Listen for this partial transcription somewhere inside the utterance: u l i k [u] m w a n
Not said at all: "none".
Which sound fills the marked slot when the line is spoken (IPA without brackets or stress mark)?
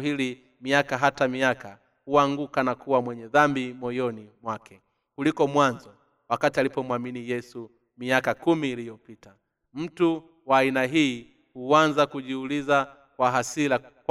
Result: ɔ